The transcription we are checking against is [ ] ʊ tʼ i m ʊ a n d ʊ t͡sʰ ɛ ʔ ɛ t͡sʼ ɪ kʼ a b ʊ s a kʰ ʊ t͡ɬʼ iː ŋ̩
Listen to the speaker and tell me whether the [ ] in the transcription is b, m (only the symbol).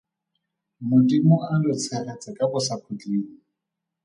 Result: m